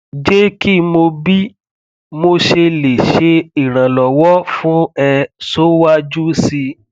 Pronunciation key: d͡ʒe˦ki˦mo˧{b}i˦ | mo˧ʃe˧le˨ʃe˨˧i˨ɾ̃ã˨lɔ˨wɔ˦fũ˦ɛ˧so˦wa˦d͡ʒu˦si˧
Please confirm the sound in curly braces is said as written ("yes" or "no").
yes